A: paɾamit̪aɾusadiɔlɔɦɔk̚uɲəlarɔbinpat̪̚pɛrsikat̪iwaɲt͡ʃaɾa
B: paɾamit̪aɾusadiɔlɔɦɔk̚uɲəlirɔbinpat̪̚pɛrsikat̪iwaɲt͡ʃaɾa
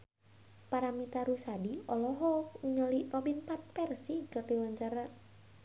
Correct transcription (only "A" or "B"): B